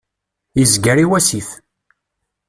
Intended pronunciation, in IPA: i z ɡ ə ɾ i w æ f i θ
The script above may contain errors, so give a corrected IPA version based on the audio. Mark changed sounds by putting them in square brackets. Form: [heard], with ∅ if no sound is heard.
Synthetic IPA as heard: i z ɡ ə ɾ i w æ [s] i θ